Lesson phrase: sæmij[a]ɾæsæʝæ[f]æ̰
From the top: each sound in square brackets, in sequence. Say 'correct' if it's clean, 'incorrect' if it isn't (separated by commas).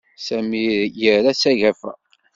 incorrect, correct